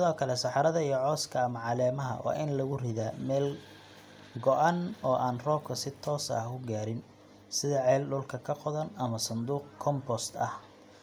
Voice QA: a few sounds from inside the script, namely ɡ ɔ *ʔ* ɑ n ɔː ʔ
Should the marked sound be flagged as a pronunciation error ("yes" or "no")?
no